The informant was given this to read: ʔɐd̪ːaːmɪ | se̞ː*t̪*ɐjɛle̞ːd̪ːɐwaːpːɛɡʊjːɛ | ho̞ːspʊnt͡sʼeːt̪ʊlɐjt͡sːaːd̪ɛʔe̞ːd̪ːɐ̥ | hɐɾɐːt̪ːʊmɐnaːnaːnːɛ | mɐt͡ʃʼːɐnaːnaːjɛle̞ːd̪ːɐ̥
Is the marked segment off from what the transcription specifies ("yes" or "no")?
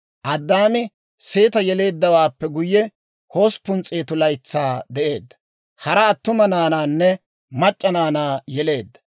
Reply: no